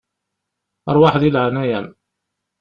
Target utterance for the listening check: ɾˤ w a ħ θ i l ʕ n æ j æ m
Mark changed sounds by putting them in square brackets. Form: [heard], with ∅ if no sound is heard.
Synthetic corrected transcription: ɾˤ w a ħ [ð] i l ʕ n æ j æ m